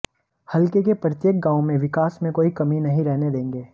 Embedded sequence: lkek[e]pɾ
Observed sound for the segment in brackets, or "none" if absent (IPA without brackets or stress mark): e